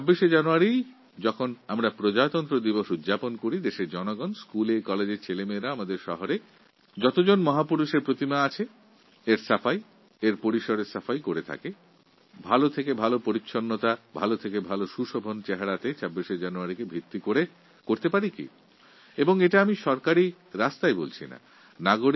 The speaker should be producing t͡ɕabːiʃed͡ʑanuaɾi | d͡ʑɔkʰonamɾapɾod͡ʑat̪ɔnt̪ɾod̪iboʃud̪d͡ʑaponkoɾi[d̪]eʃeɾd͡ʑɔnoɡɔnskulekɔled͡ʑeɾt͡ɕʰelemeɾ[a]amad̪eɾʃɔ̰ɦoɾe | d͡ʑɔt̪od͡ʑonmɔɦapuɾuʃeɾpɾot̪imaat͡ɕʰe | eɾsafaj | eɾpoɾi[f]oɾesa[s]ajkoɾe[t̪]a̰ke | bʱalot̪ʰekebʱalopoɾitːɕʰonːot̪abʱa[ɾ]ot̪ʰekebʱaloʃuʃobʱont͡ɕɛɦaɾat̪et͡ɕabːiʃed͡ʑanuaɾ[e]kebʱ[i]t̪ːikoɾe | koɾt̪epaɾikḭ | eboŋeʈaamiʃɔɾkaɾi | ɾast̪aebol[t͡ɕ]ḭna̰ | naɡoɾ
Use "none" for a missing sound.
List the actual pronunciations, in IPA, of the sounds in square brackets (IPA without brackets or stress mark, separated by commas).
d̪, a, ʃ, f, t̪ʰ, l, i, i, t͡ɕʰ